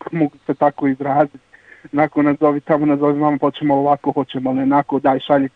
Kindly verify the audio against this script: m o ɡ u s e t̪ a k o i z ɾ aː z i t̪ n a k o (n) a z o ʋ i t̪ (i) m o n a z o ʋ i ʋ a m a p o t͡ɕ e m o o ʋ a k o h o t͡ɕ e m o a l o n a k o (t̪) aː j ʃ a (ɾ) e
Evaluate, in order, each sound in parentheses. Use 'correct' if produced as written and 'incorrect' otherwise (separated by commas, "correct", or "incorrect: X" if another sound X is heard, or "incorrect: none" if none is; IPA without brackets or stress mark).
correct, incorrect: a, incorrect: d̪, incorrect: ʎ